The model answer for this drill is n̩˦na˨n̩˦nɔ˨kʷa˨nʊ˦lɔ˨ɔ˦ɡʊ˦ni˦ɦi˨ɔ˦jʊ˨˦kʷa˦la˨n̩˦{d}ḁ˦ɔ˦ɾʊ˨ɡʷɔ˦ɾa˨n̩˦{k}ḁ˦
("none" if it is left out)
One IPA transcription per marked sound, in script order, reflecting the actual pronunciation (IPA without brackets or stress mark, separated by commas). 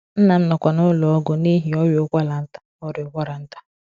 t, t